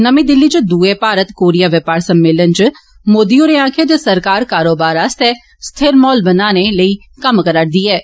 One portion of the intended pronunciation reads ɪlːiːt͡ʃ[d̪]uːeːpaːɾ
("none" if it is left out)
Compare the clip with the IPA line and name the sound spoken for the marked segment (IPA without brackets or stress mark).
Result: d̪